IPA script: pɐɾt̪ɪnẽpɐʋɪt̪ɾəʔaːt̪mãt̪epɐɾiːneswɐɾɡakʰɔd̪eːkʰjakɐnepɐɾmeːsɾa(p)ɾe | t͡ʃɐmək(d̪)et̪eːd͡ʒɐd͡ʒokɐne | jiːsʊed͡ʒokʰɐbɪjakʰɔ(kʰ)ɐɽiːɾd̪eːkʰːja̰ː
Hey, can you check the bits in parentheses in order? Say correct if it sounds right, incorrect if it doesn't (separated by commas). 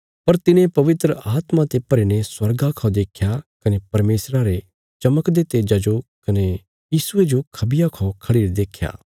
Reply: incorrect, correct, correct